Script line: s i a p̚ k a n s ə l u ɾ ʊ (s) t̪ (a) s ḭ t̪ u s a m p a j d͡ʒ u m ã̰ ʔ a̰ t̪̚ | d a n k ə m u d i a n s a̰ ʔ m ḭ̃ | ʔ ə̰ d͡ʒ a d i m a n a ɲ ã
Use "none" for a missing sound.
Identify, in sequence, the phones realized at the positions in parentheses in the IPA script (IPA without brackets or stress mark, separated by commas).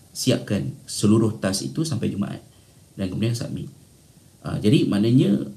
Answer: h, a